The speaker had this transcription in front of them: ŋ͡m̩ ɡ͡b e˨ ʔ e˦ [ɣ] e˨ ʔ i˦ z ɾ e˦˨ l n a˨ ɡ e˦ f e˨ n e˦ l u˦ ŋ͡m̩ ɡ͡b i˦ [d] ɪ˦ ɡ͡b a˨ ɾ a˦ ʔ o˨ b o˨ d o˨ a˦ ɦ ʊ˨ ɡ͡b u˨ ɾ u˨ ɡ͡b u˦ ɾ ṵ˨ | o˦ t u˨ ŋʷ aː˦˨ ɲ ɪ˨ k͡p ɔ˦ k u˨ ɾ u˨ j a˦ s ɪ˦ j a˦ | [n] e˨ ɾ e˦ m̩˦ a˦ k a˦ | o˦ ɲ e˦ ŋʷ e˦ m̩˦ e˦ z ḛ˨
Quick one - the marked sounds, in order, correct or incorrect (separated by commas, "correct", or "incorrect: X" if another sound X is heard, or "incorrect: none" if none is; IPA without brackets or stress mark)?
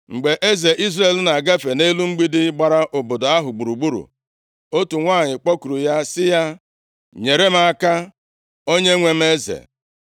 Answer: incorrect: z, correct, incorrect: ɲ